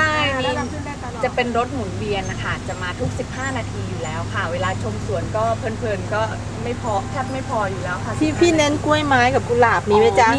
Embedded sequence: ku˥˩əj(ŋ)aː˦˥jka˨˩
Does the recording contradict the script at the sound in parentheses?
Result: yes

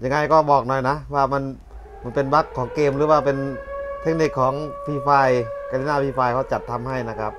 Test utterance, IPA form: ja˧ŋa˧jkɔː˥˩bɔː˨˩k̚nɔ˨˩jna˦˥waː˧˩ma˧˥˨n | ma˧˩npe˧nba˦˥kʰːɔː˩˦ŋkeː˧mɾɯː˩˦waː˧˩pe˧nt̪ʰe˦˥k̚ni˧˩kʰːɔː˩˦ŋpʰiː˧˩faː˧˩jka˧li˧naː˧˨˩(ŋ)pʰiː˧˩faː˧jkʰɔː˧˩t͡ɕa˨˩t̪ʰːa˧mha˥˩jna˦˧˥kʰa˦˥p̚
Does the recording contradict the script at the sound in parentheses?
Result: yes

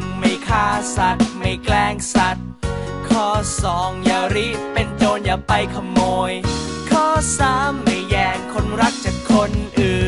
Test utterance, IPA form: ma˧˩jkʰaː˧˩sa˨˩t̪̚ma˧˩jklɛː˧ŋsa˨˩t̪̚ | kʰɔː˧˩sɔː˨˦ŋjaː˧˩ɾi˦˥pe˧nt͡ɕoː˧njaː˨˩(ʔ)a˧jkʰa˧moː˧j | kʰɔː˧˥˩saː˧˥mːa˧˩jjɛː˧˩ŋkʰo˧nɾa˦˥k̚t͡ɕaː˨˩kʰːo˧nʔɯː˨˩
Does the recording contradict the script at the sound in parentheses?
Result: yes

